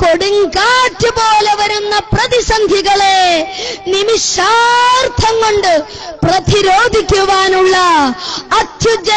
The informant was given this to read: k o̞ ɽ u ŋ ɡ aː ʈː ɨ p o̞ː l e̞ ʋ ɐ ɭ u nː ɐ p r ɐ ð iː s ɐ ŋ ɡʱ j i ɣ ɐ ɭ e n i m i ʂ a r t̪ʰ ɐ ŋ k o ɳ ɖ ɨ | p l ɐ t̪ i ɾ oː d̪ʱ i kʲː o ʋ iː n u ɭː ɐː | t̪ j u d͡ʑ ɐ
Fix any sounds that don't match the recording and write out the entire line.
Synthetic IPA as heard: k o̞ ɽ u ŋ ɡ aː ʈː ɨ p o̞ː l e̞ ʋ ɐ ɾ u nː ɐ p r ɐ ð i s ɐ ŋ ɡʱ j i ɣ ɐ ɭ e n i m i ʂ a r t̪ʰ ɐ ŋ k o ɳ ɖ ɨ | p r ɐ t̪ i ɾ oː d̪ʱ i kʲː u ʋ aː n u ɭː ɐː | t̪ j u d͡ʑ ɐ

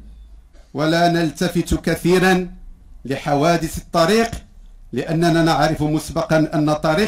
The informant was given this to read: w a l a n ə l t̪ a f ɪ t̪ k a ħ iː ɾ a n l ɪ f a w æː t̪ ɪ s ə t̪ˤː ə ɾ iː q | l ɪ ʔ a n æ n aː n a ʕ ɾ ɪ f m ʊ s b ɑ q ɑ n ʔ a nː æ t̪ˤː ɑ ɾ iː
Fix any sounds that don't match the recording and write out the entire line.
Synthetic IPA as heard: w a l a n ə l t̪ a f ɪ t̪ k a θ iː ɾ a n l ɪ ħ a w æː d̪ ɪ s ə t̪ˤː ɑ ɾ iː q | l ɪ ʔ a nː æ n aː n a ʕ ɾ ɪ f m ʊ s b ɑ q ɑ n ʔ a nː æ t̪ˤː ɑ ɾ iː

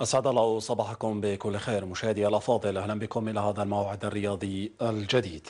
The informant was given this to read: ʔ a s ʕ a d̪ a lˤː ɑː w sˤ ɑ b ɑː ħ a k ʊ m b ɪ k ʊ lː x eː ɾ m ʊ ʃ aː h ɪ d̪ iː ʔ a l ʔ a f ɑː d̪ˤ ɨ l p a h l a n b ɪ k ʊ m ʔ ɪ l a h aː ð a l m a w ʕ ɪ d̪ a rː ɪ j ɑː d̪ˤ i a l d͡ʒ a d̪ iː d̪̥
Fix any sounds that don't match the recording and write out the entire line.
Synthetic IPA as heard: ʔ a s ʕ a d̪ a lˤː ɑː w sˤ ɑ b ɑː ħ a k ʊ m b ɪ k ʊ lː x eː ɾ m ʊ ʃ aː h ɪ d̪ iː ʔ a l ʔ ɑ f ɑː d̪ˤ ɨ l ʔ a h l a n b ɪ k ʊ m ʔ ɪ l a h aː ð a l m a w ʕ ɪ d̪ a rː ɪ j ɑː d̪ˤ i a l d͡ʒ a d̪ iː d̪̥

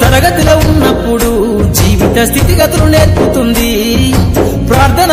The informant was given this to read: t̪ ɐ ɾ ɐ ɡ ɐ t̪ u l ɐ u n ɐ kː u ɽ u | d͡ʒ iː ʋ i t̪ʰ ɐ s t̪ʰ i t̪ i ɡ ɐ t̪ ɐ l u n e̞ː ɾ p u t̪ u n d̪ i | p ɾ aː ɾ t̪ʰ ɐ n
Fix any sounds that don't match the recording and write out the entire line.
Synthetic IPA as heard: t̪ ɐ ɾ ɐ ɡ ɐ t̪ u l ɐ u nː ɐ pː u ɽ u | d͡ʒ iː ʋ i t̪ ɐ s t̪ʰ i t̪ i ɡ ɐ t̪ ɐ l u n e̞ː ɾ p u t̪ u n d̪ i | p ɾ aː ɾ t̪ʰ ɐ n

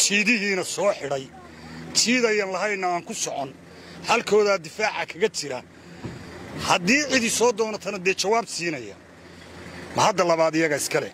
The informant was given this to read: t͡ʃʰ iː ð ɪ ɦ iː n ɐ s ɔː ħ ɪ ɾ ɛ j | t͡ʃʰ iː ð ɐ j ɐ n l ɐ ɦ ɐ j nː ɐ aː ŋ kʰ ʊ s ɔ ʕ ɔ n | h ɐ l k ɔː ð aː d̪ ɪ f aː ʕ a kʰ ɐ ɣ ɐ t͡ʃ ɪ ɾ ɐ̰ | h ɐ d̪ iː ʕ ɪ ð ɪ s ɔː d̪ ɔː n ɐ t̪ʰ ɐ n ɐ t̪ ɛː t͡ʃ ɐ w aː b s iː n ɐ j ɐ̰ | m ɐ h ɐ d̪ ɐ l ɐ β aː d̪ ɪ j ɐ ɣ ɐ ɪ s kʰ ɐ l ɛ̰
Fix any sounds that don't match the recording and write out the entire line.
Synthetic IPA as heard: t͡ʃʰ iː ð ɪ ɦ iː n ɐ s ɔː ħ ɪ ɽ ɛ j | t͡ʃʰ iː ð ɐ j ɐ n l ɐ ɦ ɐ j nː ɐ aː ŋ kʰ ʊ s ɔ ʕ ɔ n | h ɐ l kʰ ɔː ð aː d̪ ɪ f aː ʕ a kʰ ɐ ɣ ɐ t͡ʃ ɪ ɾ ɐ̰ | h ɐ d̪ iː ʕ ɪ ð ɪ s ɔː d̪ ɔː n ɐ t̪ʰ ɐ n ɐ d̪ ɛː t͡ʃ ɐ w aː b s iː n ɐ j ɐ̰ | m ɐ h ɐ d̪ ɐ l ɐ β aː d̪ ɪ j ɐ ɣ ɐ ɪ s kʰ ɐ l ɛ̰

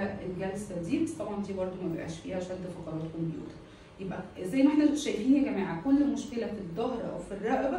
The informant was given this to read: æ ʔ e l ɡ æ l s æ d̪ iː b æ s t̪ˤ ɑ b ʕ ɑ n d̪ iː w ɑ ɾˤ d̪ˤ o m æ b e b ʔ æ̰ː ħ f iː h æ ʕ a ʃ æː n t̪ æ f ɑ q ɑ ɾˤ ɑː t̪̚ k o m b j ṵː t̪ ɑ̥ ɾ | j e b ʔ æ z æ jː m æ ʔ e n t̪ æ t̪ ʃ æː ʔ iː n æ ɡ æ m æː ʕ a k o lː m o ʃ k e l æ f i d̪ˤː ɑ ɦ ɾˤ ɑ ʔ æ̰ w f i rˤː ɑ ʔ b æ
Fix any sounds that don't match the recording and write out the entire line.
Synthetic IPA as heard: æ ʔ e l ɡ æ l s æ d̪ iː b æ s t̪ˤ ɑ b ʕ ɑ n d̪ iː b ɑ ɾˤ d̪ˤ o m æ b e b ʔ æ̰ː ʃ f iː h æ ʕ a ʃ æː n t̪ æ f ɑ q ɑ ɾˤ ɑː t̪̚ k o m b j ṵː t̪ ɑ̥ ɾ | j e b ʔ æ z æ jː m æ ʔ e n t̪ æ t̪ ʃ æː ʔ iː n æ ɡ æ m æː ʕ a k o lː m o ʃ k e l æ f i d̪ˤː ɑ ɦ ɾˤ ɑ ʔ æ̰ w f i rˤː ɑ ʔ b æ

